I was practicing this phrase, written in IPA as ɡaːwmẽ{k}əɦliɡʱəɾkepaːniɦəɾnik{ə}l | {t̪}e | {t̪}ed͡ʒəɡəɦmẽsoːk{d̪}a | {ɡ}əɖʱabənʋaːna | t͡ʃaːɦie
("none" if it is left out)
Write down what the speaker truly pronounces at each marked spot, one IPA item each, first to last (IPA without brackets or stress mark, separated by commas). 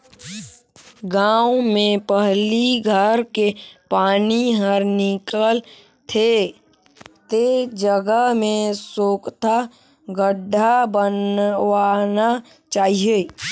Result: p, ə, t̪ʰ, t̪, t̪, ɡ